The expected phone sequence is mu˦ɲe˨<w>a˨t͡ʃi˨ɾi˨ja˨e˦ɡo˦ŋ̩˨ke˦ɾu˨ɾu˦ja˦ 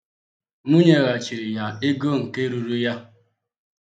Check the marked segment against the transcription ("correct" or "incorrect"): incorrect